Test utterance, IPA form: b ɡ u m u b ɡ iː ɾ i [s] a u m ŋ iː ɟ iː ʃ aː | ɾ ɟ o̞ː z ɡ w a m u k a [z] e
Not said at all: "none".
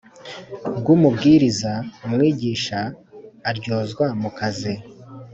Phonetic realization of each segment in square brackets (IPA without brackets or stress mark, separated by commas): z, z